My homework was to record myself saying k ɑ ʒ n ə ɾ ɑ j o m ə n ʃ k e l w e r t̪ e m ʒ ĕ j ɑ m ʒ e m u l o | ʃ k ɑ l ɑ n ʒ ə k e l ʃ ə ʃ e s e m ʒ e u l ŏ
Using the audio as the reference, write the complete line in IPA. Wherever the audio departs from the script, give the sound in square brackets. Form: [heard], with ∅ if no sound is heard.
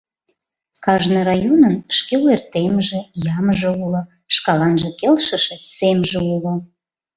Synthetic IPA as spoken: k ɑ ʒ n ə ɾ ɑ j o [n] ə n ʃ k e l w e r t̪ e m ʒ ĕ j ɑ m ʒ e [∅] u l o | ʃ k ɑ l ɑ n ʒ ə k e l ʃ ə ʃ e s e m ʒ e u l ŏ